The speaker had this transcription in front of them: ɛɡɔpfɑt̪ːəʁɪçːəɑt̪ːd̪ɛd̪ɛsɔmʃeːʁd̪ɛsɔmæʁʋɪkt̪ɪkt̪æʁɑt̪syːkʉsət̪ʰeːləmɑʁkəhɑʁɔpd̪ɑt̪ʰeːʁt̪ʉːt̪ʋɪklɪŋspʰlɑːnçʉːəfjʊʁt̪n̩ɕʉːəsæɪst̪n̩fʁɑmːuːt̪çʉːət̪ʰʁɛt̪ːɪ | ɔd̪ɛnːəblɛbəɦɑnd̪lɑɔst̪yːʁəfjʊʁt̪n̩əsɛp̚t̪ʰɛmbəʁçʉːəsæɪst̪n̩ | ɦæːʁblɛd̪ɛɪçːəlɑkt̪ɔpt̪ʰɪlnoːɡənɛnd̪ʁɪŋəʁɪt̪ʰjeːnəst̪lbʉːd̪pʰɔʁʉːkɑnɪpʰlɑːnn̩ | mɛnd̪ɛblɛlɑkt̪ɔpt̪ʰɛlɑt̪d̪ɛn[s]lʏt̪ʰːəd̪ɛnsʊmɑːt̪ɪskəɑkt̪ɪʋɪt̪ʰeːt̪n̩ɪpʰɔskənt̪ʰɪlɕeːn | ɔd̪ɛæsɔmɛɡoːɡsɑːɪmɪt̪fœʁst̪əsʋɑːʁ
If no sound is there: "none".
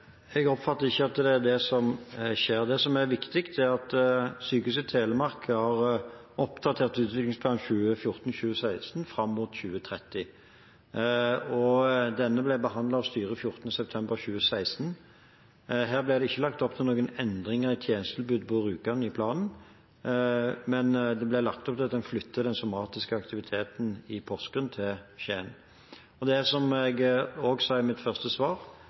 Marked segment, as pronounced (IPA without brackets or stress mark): f